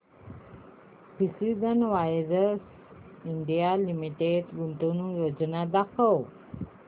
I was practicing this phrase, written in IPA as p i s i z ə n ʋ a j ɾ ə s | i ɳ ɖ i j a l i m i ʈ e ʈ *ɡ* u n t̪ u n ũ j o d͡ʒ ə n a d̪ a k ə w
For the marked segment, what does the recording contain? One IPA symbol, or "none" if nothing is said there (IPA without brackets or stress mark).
ɡ